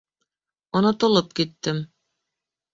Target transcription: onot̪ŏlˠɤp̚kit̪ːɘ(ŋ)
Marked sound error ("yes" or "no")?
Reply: yes